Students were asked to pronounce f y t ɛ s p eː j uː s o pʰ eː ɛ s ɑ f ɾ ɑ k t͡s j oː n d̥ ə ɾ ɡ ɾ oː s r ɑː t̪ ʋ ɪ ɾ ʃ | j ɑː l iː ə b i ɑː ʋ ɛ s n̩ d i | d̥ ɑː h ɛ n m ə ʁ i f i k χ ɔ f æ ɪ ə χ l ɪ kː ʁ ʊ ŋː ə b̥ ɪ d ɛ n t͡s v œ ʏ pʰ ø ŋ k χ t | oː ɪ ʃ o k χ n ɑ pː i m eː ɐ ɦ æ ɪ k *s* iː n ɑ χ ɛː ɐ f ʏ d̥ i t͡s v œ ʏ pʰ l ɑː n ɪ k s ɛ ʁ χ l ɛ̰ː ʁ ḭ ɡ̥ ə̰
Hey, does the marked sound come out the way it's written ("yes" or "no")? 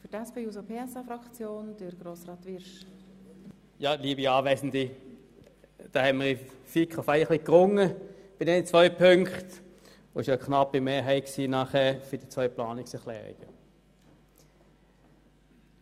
yes